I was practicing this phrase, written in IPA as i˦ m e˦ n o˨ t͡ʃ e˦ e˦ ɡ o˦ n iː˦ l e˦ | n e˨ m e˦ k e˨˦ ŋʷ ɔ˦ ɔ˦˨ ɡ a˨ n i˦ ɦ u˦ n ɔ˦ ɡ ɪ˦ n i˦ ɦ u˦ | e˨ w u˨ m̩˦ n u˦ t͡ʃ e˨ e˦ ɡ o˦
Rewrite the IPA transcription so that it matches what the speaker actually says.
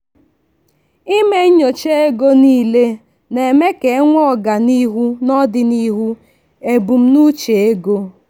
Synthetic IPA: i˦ m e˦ ɲ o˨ t͡ʃ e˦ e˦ ɡ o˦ n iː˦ l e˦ | n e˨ m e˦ k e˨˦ ŋʷ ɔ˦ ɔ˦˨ ɡ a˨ n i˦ ɦ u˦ n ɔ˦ d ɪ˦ n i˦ ɦ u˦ | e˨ b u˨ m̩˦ n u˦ t͡ʃ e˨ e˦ ɡ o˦